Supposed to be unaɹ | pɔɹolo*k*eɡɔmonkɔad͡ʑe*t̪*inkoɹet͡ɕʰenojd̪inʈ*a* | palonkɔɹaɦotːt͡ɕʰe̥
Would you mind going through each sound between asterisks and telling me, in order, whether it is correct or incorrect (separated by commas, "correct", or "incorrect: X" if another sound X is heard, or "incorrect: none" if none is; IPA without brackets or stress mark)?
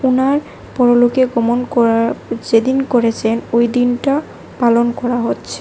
correct, incorrect: d̪, correct